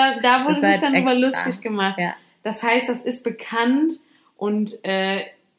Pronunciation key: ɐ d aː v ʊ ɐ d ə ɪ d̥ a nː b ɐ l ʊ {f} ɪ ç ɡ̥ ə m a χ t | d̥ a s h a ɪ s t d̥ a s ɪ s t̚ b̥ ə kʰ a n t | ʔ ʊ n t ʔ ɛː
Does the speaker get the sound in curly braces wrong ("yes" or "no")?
yes